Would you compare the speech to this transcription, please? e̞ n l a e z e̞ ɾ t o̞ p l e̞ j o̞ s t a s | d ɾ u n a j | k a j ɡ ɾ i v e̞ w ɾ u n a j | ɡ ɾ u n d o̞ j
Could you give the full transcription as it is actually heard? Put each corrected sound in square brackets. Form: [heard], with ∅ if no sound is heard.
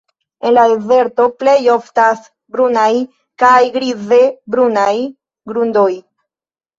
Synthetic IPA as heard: e̞ n l a e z e̞ ɾ t o̞ p l e̞ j o̞ [f] t a s | [b] ɾ u n a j | k a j ɡ ɾ i [z] e̞ [b] ɾ u n a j | ɡ ɾ u n d o̞ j